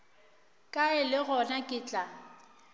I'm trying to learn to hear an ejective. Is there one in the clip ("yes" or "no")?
yes